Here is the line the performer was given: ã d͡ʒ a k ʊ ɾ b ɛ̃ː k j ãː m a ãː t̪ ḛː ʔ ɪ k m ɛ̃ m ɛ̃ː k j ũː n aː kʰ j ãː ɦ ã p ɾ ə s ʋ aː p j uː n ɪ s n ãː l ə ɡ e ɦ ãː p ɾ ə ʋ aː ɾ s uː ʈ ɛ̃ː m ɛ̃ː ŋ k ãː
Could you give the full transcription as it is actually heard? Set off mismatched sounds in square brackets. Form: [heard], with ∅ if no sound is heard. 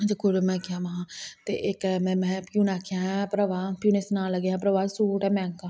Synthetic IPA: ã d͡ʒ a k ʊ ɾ [m] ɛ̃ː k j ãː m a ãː t̪ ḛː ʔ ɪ k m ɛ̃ m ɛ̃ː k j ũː n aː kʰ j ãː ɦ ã p ɾ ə [∅] ʋ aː p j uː n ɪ s n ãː l ə ɡ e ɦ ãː p ɾ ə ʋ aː [∅] s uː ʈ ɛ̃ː m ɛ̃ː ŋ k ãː